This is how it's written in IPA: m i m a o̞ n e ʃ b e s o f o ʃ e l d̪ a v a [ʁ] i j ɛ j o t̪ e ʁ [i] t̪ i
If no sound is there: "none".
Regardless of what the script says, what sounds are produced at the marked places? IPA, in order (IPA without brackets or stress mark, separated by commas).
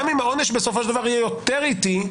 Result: ʁ, i